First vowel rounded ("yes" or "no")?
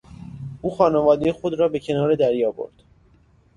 yes